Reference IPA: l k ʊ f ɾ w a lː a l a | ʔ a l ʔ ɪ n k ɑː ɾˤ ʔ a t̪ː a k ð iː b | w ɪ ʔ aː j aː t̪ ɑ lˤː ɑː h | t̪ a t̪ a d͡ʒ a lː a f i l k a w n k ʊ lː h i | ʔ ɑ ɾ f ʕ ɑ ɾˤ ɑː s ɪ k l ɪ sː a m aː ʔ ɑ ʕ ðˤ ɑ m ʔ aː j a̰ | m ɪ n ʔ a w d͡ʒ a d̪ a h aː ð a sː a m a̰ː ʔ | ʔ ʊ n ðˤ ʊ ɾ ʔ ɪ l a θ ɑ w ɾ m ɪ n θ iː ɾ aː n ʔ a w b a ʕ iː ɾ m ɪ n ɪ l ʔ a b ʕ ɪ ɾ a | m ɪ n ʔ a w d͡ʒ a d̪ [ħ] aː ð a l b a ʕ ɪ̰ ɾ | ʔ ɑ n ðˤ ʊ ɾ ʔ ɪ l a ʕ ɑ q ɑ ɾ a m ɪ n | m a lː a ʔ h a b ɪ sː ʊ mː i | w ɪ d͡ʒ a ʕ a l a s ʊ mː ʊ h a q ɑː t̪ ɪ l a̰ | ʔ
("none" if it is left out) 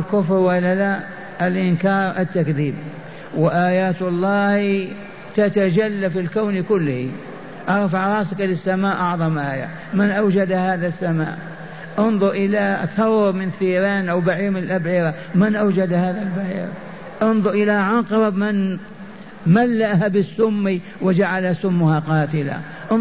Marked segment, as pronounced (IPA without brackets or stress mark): h